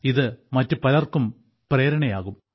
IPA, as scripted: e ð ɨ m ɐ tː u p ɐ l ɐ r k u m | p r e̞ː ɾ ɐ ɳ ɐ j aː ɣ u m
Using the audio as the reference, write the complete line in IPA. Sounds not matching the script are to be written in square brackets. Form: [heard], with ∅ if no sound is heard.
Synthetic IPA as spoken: [i] ð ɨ m ɐ tː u p ɐ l ɐ r k u m | p r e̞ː ɾ ɐ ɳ ɐ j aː ɣ u m

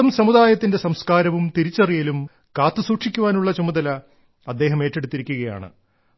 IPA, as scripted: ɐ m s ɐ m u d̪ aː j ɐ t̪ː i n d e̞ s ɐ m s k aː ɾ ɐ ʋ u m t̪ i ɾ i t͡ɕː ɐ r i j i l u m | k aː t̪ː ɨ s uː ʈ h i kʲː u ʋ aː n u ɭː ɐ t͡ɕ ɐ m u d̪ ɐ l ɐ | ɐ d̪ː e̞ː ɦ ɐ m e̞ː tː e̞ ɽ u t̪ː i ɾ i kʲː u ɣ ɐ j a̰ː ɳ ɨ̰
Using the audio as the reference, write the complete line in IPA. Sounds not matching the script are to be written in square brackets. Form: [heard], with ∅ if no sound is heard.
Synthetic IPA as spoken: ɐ m s ɐ m u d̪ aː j ɐ t̪ː i n d e̞ s ɐ m s k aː ɾ ɐ ʋ u m t̪ i ɾ i t͡ɕː ɐ r i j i l u m | k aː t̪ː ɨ s uː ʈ [ʂ] i kʲː u ʋ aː n u ɭː ɐ t͡ɕ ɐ m u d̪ ɐ l ɐ | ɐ d̪ː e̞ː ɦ ɐ m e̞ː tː e̞ ɽ u t̪ː i ɾ i kʲː u ɣ ɐ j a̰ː ɳ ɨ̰

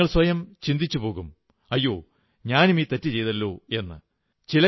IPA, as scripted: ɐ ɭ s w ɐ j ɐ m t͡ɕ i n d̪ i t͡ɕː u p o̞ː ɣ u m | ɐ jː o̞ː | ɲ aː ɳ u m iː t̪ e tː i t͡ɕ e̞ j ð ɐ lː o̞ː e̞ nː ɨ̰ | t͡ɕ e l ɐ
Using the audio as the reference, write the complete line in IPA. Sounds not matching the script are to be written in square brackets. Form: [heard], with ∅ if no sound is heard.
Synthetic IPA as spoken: ɐ ɭ s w ɐ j ɐ m t͡ɕ i n d̪ i t͡ɕː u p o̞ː ɣ u m | ɐ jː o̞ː | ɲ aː [n] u m iː t̪ e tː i t͡ɕ e̞ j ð ɐ lː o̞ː e̞ nː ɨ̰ | t͡ɕ [i] l ɐ

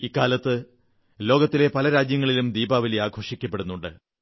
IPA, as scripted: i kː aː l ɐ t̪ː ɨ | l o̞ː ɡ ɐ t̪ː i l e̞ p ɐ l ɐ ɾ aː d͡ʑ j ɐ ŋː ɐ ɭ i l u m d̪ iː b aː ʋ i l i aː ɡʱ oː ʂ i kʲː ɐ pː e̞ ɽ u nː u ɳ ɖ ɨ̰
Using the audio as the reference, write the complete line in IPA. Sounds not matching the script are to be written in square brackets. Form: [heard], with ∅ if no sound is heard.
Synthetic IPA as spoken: i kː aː l ɐ t̪ː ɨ | l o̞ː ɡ ɐ t̪ː i l e̞ p ɐ l ɐ ɾ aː d͡ʑ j ɐ ŋː ɐ ɭ i l u m d̪ iː b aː ʋ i l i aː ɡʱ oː ʂ i kʲː ɐ pː e̞ ɽ u nː u ɳ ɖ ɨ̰

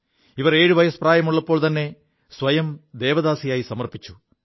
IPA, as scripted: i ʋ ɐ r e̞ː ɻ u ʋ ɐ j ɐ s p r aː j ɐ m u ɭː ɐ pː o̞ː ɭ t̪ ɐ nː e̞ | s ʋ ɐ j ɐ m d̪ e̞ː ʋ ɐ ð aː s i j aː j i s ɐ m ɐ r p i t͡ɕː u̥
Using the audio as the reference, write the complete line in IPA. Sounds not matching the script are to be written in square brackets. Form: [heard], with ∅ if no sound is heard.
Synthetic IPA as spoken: i ʋ ɐ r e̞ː ɻ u ʋ ɐ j ɐ s p r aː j ɐ m u ɭː ɐ pː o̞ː ɭ t̪ ɐ nː e̞ | s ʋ ɐ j ɐ m d̪ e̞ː ʋ ɐ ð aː s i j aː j i s ɐ m ɐ r p i t͡ɕː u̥

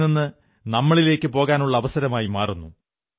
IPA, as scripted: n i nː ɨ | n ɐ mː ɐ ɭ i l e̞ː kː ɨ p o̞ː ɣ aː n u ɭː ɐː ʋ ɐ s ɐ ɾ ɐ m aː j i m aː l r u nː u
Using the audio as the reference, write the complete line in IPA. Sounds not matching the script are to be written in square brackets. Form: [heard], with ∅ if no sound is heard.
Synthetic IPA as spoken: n i nː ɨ | n ɐ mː ɐ ɭ i l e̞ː kː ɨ p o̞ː ɣ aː n u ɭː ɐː ʋ ɐ s ɐ ɾ ɐ m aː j i m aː [∅] r u nː u

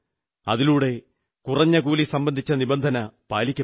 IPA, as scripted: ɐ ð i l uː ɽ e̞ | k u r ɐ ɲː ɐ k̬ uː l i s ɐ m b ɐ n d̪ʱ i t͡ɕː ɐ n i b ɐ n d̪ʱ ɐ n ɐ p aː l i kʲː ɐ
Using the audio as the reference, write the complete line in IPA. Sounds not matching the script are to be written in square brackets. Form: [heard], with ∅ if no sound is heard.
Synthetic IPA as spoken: ɐ ð i l uː ɽ e̞ | k u r ɐ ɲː ɐ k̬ uː l i s ɐ m b ɐ n d̪ʱ i t͡ɕː ɐ n i b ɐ n d̪ʱ ɐ n ɐ p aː l i kʲː ɐ

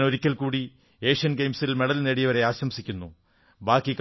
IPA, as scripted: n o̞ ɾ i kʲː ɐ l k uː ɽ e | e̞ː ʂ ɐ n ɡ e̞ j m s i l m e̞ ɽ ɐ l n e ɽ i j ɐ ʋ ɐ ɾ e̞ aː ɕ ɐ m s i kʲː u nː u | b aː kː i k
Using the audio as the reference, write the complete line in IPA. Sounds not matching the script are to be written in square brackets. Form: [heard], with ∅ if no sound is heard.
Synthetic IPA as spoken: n o̞ ɾ i kʲː ɐ l k uː ɽ [i] | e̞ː ʂ ɐ n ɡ e̞ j m s i l m e̞ ɽ ɐ l n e ɽ i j ɐ ʋ ɐ ɾ e̞ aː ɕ ɐ m s i kʲː u nː u | b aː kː i k

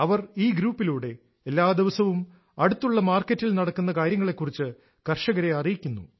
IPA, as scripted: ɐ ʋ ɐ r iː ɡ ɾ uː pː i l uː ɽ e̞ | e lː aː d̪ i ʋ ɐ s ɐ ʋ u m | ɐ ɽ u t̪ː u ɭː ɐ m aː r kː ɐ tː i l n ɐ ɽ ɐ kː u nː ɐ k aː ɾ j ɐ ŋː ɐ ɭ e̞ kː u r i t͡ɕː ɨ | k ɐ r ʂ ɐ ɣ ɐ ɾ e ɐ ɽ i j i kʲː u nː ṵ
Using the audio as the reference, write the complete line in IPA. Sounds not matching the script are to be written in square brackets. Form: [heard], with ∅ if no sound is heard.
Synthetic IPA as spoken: ɐ ʋ ɐ r iː ɡ ɾ uː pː i l uː ɽ e̞ | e lː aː d̪ i ʋ ɐ s ɐ ʋ u m | ɐ ɽ u t̪ː u ɭː ɐ m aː r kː ɐ tː i l n ɐ ɽ ɐ kː u nː ɐ k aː ɾ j ɐ ŋː ɐ ɭ e̞ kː u r i t͡ɕː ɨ | k ɐ r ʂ ɐ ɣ ɐ ɾ e ɐ [r] i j i kʲː u nː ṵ

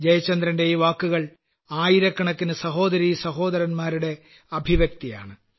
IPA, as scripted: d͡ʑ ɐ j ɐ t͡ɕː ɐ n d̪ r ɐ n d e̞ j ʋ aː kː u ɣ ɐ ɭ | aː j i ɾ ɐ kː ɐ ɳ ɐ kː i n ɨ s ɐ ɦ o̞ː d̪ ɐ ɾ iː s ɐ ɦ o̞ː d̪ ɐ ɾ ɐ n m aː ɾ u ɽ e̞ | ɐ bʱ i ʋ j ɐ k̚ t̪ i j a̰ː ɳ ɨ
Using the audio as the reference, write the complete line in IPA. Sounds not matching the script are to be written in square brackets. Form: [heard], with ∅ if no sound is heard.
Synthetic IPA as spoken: d͡ʑ ɐ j ɐ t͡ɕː ɐ n d̪ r ɐ n d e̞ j ʋ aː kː u ɣ ɐ ɭ | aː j i ɾ ɐ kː ɐ ɳ ɐ kː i n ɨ s ɐ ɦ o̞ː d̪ ɐ ɾ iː s ɐ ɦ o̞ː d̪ ɐ ɾ ɐ n m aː ɾ u ɽ e̞ | ɐ bʱ i ʋ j ɐ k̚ t̪ i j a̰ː ɳ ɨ

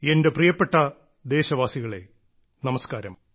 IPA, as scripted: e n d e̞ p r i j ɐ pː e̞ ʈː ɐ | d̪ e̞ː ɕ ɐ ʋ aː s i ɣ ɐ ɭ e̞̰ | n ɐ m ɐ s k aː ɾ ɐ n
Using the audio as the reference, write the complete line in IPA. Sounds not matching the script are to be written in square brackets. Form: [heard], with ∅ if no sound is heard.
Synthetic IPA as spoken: e n d e̞ p r i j ɐ pː e̞ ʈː ɐ | d̪ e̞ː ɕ ɐ ʋ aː s i ɣ ɐ ɭ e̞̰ | n ɐ m ɐ s k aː ɾ ɐ [m]

